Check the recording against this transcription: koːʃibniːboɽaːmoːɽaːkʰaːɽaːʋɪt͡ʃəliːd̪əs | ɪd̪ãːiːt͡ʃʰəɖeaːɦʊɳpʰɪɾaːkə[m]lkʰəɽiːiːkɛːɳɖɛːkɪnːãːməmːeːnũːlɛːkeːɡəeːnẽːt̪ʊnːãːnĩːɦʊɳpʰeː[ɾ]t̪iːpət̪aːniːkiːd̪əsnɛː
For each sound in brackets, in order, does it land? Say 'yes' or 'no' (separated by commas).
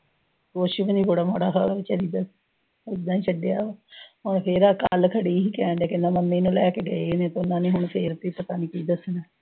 no, yes